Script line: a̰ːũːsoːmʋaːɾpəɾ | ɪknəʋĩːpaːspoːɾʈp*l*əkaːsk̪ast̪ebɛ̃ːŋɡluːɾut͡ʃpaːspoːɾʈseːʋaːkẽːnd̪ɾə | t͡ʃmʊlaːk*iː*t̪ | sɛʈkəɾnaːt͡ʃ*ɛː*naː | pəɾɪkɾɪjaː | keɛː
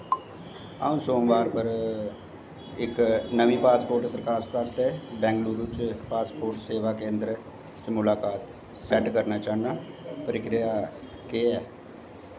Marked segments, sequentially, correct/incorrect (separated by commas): incorrect, incorrect, incorrect